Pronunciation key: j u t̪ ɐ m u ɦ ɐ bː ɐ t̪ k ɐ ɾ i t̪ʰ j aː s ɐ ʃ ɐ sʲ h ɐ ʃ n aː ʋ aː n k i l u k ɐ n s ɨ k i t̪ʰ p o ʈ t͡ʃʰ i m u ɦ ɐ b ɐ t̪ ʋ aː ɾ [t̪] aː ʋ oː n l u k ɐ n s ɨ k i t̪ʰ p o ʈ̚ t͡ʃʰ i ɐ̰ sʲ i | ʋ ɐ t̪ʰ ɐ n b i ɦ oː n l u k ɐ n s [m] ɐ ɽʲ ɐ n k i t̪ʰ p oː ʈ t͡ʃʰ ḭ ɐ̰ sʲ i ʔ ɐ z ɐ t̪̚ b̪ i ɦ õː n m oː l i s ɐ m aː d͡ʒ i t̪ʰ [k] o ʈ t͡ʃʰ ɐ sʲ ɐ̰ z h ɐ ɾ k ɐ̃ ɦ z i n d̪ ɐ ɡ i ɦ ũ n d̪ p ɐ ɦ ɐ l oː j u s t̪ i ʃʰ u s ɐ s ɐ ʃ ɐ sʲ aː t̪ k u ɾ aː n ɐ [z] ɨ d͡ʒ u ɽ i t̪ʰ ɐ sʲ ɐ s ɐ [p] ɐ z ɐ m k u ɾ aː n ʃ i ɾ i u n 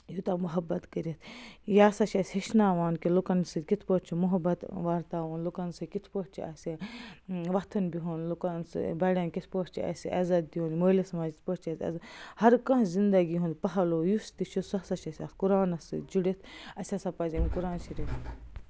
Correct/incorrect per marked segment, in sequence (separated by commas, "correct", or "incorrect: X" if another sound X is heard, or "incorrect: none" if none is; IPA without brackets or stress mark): correct, incorrect: b, incorrect: p, incorrect: s, correct